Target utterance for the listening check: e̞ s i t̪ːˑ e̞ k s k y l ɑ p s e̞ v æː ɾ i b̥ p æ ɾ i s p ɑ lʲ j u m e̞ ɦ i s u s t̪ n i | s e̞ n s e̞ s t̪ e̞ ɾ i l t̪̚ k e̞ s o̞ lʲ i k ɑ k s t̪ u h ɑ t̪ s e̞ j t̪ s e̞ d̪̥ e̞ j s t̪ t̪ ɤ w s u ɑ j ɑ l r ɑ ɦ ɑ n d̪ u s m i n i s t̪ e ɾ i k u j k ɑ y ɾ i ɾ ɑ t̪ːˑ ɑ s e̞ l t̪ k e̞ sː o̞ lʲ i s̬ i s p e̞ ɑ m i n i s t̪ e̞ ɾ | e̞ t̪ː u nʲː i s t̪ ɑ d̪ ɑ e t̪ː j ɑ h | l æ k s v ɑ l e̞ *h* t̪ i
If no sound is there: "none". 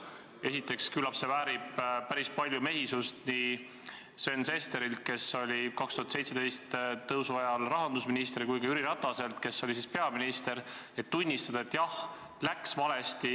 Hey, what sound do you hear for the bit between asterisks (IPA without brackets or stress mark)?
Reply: s